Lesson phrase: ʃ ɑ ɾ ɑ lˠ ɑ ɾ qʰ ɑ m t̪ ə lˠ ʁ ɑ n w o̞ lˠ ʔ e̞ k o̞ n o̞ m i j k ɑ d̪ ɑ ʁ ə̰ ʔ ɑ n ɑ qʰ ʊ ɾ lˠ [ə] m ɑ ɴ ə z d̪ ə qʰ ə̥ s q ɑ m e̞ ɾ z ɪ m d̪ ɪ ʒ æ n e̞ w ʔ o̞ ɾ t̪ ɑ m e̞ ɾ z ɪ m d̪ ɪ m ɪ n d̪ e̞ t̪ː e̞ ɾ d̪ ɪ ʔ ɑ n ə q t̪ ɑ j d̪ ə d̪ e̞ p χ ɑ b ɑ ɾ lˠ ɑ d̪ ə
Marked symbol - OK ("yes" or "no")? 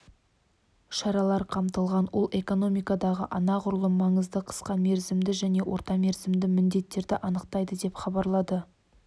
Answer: yes